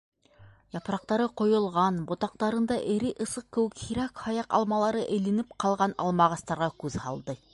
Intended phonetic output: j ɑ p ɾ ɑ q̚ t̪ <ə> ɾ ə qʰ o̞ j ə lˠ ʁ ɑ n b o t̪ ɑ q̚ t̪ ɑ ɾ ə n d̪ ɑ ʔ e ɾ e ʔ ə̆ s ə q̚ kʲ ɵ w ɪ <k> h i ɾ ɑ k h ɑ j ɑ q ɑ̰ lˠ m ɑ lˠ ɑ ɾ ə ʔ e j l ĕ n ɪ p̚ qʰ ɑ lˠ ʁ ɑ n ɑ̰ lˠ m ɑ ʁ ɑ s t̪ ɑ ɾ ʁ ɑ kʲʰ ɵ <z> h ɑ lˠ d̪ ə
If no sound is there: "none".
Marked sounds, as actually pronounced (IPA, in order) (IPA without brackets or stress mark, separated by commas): ɑ, k, z